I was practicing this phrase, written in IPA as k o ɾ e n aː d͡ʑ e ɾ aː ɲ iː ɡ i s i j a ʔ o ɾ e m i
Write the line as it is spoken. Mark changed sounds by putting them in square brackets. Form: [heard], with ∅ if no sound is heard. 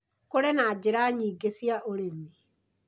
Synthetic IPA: k o ɾ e n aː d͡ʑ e ɾ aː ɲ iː ɡ [e] s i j a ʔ o ɾ e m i